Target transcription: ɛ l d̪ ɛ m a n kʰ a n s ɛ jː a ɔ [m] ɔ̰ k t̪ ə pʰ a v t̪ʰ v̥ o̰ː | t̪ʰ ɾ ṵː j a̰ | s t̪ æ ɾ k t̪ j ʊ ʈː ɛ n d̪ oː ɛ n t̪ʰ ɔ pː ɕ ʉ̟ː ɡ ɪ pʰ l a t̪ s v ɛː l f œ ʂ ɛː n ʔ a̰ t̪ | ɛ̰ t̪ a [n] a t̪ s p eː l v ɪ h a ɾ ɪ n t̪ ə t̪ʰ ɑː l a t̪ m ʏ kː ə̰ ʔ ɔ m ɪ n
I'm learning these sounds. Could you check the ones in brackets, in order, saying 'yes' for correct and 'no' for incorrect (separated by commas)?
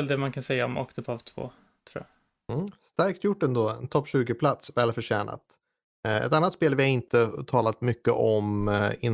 yes, no